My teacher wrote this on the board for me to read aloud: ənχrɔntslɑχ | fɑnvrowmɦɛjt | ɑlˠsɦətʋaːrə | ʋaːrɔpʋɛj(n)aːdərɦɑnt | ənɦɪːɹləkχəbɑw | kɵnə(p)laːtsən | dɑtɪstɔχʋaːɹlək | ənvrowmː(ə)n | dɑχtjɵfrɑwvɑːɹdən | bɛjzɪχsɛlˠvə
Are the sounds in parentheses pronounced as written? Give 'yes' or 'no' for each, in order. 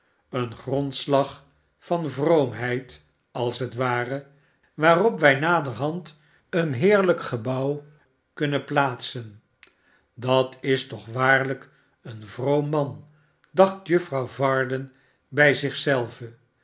yes, yes, no

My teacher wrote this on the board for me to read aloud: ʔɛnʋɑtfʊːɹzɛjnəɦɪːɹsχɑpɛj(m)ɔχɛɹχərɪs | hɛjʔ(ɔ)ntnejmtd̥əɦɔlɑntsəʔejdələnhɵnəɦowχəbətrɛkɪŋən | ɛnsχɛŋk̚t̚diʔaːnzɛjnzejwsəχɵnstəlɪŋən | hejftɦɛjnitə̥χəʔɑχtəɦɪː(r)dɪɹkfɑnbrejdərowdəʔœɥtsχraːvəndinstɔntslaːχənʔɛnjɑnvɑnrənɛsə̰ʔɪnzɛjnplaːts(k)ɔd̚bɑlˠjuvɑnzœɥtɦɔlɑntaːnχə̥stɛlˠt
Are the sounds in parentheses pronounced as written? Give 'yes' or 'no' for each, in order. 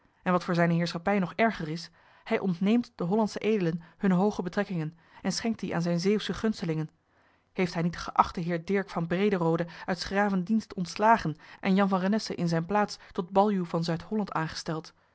no, yes, no, no

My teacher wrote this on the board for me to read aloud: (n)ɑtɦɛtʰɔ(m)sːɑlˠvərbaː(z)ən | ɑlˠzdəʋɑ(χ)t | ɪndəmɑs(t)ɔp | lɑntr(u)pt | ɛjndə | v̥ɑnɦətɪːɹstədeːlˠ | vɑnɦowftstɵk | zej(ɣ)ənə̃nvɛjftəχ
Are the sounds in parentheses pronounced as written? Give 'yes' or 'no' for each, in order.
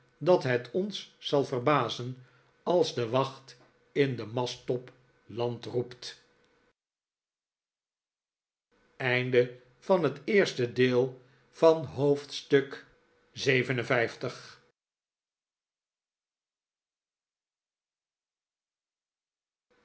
no, no, yes, yes, yes, yes, no

